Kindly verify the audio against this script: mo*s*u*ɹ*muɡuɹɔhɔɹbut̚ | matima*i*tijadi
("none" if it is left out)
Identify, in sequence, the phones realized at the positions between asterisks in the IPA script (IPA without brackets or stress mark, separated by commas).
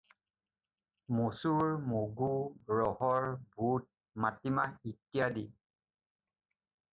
s, ɹ, i